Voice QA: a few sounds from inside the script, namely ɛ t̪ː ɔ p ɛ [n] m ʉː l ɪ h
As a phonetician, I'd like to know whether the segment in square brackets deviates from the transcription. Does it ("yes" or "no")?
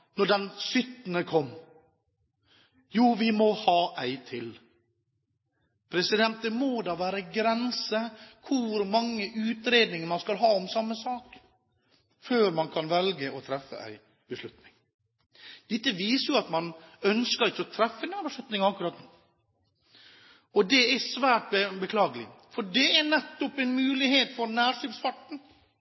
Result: no